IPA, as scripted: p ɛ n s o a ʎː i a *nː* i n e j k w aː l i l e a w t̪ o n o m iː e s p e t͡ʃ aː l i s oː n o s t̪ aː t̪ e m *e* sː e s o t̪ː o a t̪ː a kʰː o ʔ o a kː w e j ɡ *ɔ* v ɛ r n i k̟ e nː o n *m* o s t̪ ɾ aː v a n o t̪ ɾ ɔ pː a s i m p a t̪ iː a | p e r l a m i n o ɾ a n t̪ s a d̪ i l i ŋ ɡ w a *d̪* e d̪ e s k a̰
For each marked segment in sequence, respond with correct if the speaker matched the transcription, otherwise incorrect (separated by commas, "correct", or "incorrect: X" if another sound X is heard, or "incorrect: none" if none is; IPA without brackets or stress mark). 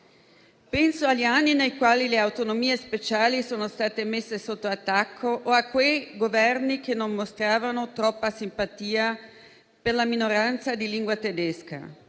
correct, correct, incorrect: o, correct, incorrect: t̪